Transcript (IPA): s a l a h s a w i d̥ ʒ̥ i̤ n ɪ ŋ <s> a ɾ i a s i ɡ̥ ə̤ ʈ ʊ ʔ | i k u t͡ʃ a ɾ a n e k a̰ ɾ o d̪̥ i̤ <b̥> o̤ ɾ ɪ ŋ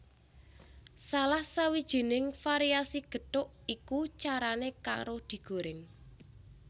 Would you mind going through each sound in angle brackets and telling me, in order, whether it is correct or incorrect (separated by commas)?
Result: incorrect, incorrect